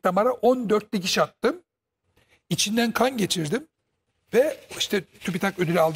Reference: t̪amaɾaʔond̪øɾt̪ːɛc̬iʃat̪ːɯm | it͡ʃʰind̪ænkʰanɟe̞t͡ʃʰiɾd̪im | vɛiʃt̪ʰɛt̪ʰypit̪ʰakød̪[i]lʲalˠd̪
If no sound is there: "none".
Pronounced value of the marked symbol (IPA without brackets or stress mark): y